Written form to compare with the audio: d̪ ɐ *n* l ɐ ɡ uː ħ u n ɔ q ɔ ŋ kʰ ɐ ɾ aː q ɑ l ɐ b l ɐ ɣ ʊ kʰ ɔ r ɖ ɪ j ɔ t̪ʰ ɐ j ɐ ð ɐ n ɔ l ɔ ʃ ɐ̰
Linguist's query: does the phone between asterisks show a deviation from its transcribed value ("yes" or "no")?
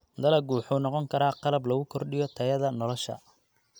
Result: yes